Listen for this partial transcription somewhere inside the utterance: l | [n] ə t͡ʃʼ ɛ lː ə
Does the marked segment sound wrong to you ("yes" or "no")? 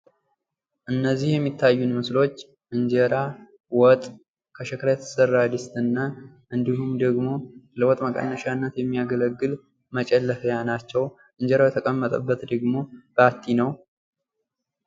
yes